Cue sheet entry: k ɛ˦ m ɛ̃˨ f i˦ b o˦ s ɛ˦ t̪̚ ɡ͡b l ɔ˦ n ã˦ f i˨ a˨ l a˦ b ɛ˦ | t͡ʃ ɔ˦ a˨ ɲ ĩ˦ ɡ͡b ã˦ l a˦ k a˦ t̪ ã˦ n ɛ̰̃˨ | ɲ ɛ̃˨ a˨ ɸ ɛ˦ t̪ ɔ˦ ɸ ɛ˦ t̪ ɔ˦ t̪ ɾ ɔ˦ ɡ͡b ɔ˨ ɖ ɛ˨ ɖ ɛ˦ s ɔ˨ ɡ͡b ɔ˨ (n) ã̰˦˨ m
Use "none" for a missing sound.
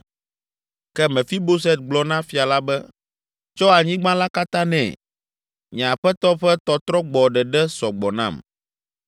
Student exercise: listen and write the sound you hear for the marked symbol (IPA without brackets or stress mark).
n